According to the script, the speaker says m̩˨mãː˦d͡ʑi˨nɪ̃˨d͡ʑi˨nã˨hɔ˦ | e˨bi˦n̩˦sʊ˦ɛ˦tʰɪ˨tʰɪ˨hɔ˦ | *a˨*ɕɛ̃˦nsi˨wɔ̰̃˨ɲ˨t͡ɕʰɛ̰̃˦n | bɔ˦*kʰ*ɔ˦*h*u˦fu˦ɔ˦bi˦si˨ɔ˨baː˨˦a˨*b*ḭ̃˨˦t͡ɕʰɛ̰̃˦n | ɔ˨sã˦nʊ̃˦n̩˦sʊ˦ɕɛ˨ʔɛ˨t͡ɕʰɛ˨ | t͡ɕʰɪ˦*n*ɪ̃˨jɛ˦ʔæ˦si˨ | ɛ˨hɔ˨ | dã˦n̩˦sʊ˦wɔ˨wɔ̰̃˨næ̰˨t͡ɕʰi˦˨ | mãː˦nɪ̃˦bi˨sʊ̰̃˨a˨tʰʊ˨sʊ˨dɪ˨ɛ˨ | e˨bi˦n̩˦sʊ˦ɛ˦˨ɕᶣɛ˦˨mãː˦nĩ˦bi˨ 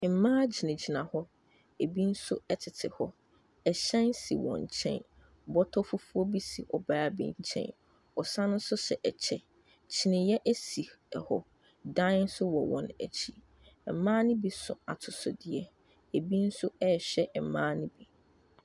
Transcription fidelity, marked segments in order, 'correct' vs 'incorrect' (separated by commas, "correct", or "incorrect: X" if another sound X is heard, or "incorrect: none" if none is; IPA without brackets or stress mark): incorrect: ɛ˨, incorrect: tʰ, incorrect: f, correct, correct